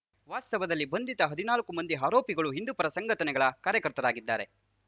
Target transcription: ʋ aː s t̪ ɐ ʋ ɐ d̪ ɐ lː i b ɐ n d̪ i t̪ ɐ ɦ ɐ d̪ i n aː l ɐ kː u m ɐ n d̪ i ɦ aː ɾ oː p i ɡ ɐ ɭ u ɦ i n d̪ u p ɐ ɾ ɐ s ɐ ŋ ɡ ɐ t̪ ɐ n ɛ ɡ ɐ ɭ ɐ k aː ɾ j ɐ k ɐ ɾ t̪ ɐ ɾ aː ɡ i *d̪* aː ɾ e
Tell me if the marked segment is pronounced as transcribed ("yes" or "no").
no